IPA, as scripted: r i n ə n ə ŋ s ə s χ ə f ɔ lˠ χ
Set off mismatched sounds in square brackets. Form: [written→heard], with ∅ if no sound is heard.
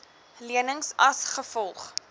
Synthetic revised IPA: [r→l] i [n→∅] ə n ə ŋ s [ə→ɐ] s χ ə f ɔ lˠ χ